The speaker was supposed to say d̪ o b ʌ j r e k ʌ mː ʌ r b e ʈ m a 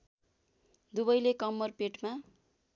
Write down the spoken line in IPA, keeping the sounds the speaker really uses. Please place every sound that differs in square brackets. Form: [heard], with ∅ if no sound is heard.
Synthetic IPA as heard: d̪ [u] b ʌ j [l] e k ʌ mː ʌ r [p] e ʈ m a